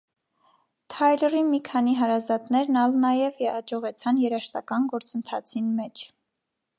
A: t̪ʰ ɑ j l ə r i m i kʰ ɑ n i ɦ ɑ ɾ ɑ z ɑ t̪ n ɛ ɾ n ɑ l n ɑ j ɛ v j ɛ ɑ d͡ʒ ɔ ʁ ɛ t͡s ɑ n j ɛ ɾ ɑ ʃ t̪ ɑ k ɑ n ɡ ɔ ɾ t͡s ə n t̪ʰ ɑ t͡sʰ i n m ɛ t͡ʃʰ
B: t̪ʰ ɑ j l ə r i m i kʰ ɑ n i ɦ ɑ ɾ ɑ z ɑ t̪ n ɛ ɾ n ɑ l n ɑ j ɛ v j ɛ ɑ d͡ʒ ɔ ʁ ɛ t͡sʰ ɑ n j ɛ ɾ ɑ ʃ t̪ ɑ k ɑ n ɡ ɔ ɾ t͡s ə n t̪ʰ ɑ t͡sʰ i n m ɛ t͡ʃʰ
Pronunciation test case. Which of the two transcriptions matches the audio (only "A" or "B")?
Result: B